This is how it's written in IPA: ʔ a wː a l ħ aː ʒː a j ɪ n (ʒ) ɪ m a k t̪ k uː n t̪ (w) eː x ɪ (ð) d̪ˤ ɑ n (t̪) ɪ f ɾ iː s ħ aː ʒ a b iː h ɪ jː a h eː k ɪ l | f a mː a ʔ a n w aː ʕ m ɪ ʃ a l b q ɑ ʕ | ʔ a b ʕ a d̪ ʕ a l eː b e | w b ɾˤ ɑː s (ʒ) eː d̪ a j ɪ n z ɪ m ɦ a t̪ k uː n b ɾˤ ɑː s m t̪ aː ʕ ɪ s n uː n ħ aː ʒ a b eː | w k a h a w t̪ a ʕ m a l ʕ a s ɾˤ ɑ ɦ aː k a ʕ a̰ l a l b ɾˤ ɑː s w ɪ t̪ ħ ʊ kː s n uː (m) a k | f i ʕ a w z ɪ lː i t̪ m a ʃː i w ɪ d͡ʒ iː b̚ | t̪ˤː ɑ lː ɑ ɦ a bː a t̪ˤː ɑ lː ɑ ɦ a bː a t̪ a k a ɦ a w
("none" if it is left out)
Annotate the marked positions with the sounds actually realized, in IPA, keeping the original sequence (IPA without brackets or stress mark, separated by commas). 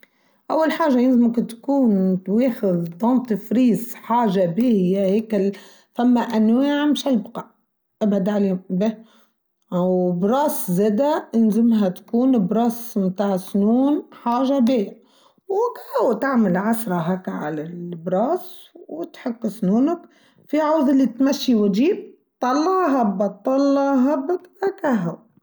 z, w, ð, t̪, z, n